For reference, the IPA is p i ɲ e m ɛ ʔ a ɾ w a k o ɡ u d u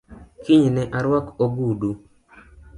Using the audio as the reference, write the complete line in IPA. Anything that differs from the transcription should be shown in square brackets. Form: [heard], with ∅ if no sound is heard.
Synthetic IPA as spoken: [k] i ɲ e [n] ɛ ʔ a ɾ w a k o ɡ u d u